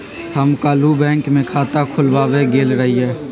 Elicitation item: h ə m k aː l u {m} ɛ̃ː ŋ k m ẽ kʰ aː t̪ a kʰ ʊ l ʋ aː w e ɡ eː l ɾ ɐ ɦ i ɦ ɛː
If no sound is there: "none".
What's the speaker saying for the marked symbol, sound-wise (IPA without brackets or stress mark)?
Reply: b